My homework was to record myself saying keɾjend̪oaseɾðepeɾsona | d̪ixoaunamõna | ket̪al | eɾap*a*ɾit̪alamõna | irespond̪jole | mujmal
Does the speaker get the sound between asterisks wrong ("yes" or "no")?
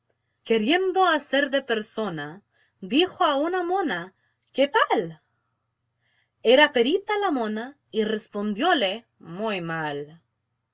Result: yes